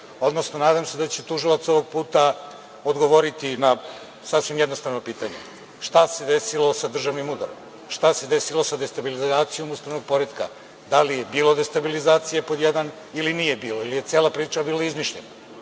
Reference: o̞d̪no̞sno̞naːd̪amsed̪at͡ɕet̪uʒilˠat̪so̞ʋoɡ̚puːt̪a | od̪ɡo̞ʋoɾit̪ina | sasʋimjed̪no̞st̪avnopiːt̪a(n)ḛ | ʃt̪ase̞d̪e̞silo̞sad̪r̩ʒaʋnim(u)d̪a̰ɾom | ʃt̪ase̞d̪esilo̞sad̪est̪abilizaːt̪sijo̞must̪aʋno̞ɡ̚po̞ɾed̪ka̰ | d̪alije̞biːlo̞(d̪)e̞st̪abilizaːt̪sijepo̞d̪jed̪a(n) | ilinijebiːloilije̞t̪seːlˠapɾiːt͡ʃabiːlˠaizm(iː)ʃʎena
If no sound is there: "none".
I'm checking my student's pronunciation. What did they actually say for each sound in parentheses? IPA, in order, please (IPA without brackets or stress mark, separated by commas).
ɲ, u, d̪, n, i